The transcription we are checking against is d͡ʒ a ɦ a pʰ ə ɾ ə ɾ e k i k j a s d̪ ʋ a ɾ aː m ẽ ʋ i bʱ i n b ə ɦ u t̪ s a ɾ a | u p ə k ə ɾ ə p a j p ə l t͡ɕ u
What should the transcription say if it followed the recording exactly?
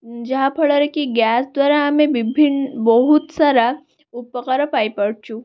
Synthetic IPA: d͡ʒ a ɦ a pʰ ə ɭ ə ɾ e k i ɡ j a s d̪ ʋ a ɾ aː m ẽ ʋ i bʱ i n b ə ɦ u t̪ s a ɾ a | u p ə k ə ɾ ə p a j p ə ɽ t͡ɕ u